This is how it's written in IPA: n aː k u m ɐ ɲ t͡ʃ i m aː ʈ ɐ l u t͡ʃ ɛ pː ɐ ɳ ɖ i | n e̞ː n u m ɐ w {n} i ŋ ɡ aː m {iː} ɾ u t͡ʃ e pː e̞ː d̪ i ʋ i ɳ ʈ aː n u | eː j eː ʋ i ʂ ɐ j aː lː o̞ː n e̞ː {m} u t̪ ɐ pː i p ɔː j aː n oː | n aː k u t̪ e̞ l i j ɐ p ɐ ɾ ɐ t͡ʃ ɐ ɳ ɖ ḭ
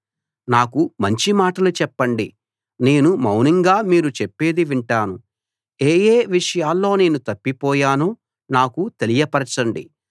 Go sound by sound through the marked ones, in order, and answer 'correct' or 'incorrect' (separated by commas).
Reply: correct, correct, incorrect